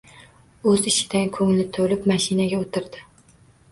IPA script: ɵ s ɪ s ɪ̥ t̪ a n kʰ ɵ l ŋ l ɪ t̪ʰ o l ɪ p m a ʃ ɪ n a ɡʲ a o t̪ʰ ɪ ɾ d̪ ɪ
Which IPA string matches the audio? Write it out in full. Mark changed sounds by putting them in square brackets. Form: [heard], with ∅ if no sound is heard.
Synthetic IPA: ɵ [z] ɪ [ʃ] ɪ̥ [d̪] a n kʰ ɵ [∅] ŋ l ɪ t̪ʰ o l ɪ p m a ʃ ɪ n a ɡʲ a o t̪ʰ ɪ ɾ d̪ ɪ